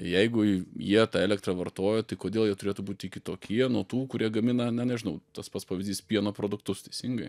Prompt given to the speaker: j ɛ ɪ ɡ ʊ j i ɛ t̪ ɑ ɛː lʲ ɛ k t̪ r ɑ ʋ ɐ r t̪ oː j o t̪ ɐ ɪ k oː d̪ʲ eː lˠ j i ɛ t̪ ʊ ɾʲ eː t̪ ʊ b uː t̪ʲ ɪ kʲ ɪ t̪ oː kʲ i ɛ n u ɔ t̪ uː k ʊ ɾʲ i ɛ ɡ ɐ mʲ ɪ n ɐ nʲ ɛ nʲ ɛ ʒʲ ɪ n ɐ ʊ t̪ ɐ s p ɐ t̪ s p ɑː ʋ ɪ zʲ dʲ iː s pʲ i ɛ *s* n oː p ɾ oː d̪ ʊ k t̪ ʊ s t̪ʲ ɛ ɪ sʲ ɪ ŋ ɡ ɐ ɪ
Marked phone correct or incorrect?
incorrect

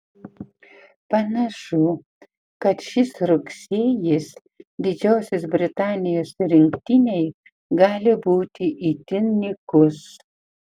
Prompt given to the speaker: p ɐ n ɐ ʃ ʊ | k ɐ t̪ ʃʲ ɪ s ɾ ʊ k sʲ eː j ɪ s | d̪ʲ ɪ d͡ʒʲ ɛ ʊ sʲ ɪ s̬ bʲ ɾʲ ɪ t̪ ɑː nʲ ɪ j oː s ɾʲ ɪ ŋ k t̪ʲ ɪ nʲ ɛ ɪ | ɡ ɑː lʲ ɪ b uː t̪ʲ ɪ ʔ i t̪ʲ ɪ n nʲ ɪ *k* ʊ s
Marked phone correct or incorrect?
correct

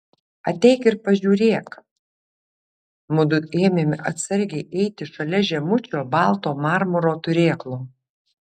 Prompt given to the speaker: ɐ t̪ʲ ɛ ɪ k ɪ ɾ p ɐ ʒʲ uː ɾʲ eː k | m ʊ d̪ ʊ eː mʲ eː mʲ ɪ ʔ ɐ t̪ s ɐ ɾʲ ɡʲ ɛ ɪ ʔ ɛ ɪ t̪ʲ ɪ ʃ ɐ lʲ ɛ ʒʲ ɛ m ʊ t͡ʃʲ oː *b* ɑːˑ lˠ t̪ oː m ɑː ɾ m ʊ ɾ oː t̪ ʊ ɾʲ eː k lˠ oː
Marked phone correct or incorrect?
correct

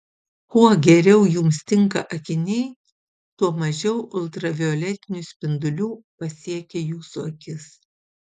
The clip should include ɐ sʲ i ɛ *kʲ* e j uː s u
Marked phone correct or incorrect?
correct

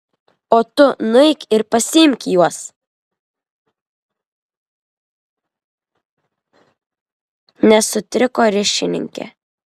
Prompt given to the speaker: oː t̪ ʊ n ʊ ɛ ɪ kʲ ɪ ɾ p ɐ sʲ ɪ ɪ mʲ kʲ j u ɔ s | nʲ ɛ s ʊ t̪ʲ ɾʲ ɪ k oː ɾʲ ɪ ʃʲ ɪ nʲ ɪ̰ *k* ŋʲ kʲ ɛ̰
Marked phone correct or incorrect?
incorrect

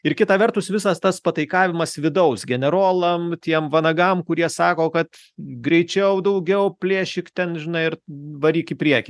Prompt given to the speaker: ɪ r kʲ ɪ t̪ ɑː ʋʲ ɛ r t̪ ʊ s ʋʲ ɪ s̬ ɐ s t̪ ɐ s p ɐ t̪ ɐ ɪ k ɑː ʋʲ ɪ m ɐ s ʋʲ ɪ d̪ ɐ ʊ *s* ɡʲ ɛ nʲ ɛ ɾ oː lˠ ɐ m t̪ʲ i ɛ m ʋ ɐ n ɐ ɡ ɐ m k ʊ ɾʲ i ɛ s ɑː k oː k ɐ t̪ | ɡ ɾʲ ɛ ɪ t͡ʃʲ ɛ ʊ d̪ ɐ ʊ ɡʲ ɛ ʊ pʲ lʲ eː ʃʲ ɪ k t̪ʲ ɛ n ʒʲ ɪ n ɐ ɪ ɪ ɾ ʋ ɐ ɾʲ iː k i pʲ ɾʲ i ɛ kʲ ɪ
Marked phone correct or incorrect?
correct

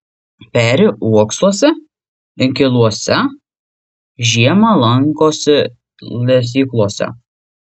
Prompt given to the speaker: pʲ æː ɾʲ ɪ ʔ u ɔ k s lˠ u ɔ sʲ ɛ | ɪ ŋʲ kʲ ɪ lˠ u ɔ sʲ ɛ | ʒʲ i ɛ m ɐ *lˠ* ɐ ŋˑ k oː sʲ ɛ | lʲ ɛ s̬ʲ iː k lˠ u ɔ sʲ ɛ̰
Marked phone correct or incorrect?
correct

